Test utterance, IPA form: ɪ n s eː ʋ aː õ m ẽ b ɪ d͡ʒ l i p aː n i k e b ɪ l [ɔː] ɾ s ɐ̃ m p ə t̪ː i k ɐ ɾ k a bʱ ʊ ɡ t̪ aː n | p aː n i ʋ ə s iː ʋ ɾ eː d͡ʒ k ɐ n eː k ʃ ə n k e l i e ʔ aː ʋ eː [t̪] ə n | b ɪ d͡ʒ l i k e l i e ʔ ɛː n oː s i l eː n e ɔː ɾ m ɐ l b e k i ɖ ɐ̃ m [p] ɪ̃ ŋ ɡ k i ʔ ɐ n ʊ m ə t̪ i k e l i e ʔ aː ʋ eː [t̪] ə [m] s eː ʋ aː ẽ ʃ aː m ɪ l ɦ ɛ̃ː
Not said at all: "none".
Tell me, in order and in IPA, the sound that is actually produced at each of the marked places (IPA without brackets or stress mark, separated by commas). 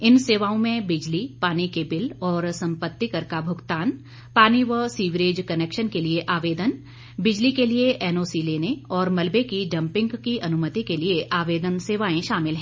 ɔː, d̪, p, d̪, n